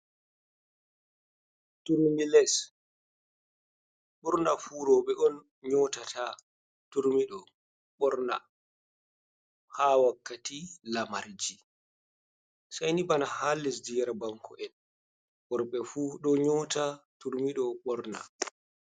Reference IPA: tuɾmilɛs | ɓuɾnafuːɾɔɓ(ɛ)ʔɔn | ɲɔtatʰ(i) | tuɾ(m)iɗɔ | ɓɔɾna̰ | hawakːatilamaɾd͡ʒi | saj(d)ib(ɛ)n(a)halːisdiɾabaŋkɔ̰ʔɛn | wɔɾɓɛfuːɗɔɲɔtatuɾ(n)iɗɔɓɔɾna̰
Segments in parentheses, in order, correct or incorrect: correct, incorrect: a, correct, incorrect: n, incorrect: a, correct, incorrect: m

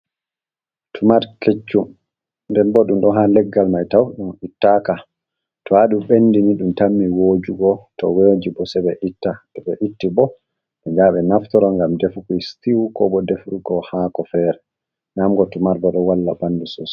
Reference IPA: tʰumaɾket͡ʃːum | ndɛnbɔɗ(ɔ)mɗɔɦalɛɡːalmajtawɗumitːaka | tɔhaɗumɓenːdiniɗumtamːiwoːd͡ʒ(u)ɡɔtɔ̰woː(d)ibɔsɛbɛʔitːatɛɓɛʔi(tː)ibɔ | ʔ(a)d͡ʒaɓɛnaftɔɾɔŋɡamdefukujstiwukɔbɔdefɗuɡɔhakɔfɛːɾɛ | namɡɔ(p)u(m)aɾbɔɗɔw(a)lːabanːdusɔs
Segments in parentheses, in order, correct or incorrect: incorrect: u, correct, incorrect: d͡ʒ, correct, incorrect: ɛ, incorrect: t, correct, correct

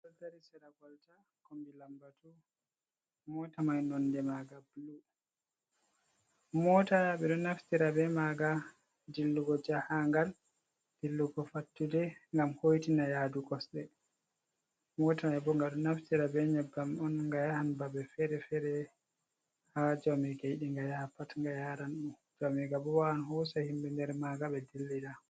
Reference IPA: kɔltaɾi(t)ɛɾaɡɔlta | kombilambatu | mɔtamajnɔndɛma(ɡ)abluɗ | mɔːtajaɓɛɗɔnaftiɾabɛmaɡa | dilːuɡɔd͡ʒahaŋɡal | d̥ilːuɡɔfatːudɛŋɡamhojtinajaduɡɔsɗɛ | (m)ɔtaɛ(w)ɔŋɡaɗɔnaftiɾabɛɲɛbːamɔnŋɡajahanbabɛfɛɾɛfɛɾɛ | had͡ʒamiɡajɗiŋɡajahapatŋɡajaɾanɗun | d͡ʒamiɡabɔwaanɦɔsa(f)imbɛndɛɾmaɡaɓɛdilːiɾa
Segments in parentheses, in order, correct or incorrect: incorrect: s, correct, correct, incorrect: b, incorrect: h

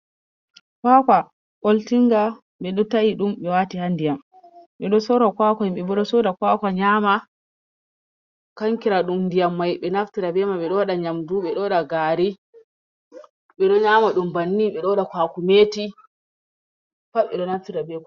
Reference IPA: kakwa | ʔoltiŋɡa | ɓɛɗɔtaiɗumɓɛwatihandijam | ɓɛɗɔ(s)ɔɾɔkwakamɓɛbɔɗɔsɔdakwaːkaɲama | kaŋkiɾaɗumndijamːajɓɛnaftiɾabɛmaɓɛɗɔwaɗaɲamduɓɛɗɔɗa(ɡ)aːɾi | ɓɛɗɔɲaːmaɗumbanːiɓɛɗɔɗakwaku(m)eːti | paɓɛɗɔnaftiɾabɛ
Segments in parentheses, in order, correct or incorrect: correct, correct, correct

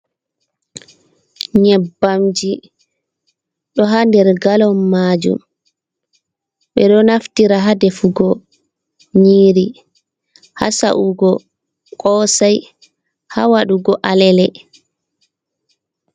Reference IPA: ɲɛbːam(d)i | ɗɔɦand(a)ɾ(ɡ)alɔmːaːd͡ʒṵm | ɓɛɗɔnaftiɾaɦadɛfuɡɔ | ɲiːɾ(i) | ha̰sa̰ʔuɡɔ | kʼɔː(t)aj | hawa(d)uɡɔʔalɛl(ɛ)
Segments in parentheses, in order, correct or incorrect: incorrect: d͡ʒ, incorrect: ɛ, correct, correct, incorrect: s, incorrect: ɗ, correct

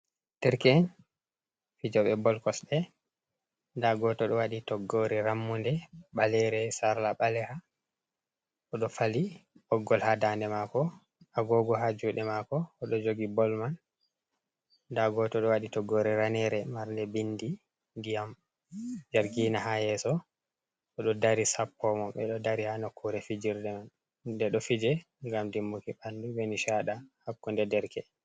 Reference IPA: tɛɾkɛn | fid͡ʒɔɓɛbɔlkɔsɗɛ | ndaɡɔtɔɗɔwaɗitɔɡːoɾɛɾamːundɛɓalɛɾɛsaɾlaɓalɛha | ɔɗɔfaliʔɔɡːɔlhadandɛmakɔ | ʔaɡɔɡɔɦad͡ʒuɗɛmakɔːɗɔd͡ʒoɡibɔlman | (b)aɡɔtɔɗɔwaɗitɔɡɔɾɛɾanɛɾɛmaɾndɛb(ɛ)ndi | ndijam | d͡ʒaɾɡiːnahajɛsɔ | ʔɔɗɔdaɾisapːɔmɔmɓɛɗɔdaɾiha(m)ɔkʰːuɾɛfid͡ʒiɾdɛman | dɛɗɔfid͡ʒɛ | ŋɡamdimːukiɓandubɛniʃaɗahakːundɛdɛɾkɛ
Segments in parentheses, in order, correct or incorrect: incorrect: d, incorrect: i, incorrect: n

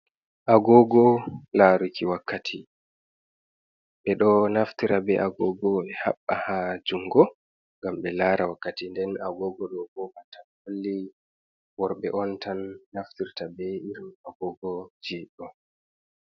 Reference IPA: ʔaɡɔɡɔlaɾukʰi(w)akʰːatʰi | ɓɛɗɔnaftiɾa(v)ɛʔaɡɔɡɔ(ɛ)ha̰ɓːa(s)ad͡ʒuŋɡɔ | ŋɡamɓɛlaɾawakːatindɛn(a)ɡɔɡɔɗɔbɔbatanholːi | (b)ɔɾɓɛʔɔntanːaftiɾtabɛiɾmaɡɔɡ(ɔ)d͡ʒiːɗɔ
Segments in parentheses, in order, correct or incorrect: correct, incorrect: b, correct, incorrect: h, correct, incorrect: w, correct

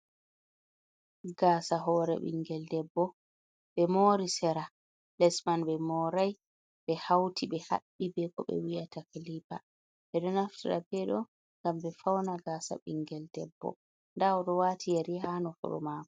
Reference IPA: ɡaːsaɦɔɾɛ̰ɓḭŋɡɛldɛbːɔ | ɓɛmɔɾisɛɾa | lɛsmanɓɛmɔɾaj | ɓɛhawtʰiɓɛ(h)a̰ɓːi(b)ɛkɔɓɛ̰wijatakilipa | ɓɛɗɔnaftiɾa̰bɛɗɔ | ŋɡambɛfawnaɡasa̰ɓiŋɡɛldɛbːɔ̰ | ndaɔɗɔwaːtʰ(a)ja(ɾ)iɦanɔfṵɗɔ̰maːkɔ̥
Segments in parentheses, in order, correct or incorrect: correct, correct, incorrect: i, correct

